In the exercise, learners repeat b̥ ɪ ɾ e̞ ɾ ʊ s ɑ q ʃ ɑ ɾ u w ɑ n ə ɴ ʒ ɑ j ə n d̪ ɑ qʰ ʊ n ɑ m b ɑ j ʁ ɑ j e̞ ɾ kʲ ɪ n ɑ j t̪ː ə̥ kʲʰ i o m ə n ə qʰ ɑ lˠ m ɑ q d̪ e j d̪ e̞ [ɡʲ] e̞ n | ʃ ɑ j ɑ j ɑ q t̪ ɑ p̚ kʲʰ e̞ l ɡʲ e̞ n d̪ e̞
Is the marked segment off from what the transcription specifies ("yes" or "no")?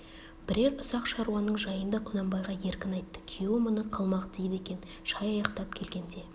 yes